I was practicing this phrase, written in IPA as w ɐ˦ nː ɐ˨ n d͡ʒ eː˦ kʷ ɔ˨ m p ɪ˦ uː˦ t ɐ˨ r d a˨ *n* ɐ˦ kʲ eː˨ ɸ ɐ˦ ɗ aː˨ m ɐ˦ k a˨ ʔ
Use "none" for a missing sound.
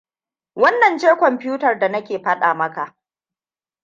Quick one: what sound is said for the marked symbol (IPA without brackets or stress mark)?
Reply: n